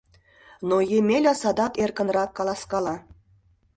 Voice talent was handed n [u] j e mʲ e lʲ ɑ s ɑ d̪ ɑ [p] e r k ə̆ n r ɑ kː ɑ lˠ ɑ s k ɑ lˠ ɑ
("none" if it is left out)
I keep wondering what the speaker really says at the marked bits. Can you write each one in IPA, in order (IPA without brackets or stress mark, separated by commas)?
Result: o, k